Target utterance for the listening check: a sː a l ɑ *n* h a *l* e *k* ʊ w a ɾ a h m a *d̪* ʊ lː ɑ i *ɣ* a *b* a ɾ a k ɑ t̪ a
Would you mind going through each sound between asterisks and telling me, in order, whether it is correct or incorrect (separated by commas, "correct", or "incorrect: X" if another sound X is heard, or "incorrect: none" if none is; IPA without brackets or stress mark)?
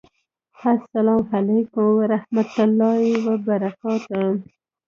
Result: incorrect: m, correct, correct, incorrect: t̪, incorrect: w, correct